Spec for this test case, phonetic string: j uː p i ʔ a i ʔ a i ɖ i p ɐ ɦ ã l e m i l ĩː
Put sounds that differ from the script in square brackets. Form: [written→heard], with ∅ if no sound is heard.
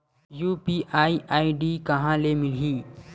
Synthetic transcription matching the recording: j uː p i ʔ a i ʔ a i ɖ i [p→k] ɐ ɦ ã l e m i l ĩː